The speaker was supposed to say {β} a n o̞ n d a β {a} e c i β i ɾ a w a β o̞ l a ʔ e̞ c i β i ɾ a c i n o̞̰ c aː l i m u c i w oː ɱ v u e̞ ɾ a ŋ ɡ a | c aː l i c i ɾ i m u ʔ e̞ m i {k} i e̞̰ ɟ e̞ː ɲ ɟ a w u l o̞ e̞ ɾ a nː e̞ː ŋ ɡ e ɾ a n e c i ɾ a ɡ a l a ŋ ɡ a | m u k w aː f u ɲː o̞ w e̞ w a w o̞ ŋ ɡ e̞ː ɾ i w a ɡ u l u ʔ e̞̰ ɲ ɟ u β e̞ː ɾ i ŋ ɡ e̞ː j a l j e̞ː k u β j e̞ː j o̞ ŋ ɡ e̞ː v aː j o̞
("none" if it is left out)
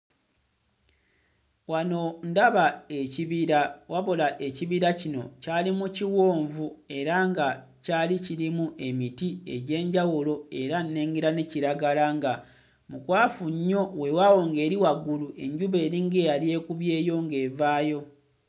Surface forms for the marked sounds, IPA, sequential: w, a, t

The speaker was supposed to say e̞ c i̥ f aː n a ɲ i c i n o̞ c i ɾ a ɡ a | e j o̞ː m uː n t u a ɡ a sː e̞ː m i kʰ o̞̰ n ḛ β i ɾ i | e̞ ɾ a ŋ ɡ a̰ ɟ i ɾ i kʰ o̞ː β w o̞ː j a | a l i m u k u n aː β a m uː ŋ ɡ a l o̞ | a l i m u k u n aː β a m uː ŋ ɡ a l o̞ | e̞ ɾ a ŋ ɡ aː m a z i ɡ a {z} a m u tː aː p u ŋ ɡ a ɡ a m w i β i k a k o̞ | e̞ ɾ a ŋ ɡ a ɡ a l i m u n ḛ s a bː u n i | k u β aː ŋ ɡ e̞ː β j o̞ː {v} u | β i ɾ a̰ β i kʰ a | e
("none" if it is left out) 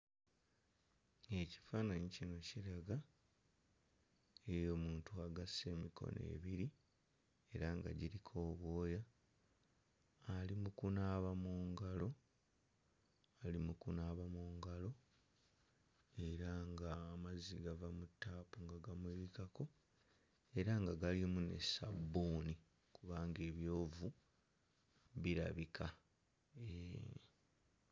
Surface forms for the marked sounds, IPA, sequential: v, v

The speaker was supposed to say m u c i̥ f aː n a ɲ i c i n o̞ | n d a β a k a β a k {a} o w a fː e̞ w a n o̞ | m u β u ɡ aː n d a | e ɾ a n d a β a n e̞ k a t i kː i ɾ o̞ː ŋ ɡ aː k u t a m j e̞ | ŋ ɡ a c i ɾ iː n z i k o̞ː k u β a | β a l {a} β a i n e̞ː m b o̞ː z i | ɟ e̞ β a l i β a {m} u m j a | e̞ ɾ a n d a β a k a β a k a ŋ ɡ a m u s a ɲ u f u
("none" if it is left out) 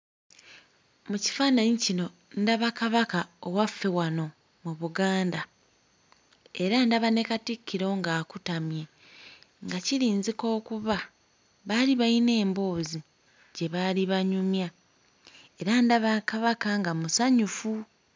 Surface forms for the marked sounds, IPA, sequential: a, i, ɲ

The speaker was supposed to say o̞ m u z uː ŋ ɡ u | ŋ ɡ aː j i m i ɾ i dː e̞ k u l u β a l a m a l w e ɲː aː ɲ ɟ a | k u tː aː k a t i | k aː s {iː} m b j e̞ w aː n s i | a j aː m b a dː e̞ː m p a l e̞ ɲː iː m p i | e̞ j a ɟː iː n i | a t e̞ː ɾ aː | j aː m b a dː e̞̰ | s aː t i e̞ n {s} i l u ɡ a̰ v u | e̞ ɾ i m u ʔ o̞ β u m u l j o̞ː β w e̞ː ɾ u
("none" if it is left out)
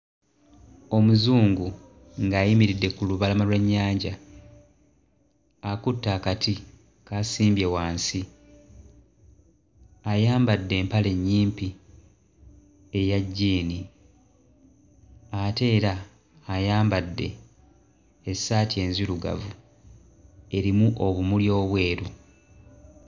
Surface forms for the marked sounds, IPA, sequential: iː, z

